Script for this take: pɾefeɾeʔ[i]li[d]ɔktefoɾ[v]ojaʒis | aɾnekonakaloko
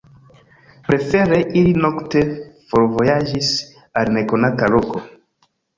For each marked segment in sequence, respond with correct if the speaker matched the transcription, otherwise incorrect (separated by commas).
correct, incorrect, correct